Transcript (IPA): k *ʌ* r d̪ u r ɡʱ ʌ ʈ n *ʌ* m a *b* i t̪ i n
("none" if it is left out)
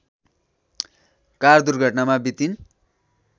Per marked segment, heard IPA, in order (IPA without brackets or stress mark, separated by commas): a, a, b